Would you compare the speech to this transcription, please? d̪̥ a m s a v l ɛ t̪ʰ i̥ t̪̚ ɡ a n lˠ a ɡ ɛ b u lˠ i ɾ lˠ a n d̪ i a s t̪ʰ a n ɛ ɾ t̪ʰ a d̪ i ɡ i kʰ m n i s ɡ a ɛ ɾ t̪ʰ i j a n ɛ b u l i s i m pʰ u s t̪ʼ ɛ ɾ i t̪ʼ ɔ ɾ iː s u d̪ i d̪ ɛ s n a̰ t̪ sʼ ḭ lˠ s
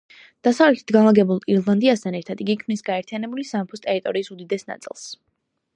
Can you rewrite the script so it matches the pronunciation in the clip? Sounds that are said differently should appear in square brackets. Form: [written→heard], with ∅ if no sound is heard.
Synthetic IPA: d̪̥ a [m→∅] s a v l ɛ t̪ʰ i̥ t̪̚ ɡ a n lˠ a ɡ ɛ b u lˠ i ɾ lˠ a n d̪ i a s t̪ʰ a n ɛ ɾ t̪ʰ a d̪ i ɡ i kʰ m n i s ɡ a ɛ ɾ t̪ʰ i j a n ɛ b u l i s [i→a] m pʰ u s t̪ʼ ɛ ɾ i t̪ʼ ɔ ɾ iː s u d̪ i d̪ ɛ s n a̰ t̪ sʼ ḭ lˠ s